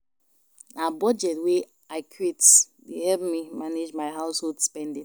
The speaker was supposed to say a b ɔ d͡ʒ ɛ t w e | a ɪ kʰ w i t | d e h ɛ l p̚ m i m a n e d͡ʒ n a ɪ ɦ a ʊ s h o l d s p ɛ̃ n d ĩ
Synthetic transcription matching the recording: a b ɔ d͡ʒ ɛ t w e | a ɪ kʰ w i t | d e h ɛ l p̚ m i m a n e d͡ʒ m a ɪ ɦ a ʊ s h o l d s p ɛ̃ n d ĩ